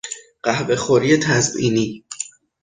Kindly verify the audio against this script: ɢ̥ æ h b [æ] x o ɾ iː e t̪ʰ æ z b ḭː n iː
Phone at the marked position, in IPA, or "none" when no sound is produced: e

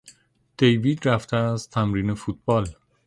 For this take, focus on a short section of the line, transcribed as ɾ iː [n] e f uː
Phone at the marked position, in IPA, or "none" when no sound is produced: n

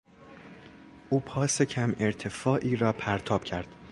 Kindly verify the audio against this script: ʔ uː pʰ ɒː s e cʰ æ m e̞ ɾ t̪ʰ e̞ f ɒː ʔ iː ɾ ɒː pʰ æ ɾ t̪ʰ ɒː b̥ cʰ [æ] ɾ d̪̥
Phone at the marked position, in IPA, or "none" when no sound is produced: æ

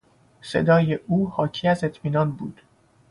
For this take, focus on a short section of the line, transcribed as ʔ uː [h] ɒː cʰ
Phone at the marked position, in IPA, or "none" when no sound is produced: h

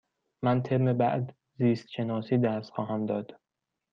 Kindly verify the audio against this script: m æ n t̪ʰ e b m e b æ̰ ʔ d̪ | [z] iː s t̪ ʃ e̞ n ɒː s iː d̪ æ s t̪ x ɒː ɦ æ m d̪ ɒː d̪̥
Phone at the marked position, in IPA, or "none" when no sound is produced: z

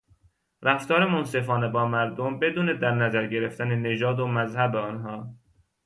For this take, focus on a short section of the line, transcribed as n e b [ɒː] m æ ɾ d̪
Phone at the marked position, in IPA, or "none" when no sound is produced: ɒː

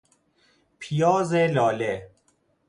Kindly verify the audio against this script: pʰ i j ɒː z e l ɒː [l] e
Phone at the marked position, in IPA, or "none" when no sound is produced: l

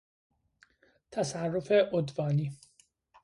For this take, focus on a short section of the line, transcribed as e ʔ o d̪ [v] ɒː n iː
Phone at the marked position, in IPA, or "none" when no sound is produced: v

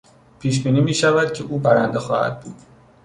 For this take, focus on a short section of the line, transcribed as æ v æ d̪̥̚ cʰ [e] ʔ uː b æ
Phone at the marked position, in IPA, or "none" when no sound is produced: e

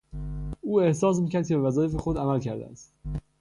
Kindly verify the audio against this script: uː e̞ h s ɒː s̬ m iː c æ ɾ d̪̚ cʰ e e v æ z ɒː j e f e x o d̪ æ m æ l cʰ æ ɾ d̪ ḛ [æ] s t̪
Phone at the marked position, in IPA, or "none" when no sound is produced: æ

